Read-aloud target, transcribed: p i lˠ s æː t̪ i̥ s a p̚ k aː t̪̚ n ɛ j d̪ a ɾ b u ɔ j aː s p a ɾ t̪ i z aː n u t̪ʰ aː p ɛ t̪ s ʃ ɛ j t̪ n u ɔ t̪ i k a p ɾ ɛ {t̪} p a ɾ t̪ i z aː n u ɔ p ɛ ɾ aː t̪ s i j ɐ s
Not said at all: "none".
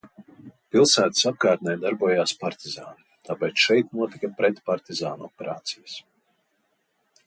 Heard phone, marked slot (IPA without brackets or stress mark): t̪